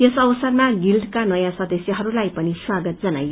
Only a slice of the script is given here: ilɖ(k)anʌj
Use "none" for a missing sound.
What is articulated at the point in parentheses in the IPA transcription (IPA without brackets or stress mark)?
k